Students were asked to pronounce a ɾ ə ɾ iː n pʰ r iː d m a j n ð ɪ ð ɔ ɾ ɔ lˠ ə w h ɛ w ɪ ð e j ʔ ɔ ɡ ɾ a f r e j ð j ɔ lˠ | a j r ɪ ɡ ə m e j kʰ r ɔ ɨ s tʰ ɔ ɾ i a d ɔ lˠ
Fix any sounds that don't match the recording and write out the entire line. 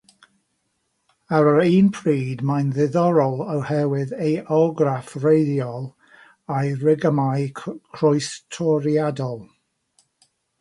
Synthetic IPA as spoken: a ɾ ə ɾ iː n pʰ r iː d m a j n ð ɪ ð ɔ ɾ ɔ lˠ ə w h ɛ w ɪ ð e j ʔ ɔ ɡ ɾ a f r e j ð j ɔ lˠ | a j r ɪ ɡ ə m a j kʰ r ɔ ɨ s tʰ ɔ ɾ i a d ɔ lˠ